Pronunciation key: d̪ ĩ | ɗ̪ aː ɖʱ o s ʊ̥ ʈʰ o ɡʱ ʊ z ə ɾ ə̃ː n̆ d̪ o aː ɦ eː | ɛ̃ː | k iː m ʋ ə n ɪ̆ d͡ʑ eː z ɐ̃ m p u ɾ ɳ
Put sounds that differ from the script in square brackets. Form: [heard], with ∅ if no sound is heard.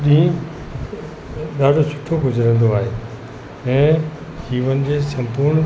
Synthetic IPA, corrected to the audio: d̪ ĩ | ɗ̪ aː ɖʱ o s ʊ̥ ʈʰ o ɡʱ ʊ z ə ɾ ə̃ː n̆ d̪ o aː ɦ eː | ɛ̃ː | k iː [∅] ʋ ə n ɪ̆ d͡ʑ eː [s] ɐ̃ m p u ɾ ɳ